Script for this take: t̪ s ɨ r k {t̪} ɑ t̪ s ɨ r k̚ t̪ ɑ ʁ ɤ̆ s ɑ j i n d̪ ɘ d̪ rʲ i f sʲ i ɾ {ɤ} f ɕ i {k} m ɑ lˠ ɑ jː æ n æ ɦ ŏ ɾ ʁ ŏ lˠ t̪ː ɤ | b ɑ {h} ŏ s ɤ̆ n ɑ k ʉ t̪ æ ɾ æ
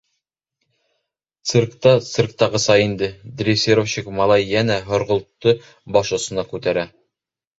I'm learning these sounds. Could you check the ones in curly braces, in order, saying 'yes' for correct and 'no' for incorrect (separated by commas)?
yes, no, yes, no